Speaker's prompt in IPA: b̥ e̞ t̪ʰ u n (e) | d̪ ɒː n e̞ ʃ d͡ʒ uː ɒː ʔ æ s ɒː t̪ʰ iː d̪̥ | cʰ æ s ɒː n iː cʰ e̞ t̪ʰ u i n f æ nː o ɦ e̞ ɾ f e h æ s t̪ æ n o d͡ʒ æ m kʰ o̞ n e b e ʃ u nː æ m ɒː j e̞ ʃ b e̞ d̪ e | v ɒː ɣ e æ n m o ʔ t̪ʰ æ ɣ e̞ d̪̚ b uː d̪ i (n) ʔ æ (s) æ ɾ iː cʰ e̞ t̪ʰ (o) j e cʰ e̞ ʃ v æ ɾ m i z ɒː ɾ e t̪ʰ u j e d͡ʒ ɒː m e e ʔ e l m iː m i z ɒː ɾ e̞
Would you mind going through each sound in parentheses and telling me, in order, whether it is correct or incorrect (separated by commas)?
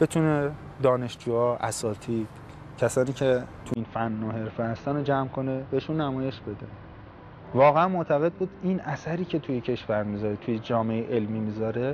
correct, correct, correct, incorrect